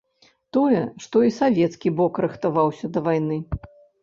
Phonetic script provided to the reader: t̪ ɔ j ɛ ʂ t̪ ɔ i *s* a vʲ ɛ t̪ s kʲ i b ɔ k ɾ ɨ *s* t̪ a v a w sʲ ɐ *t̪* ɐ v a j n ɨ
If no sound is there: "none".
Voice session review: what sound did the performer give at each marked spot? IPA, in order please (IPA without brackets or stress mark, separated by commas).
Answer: s, x, d̪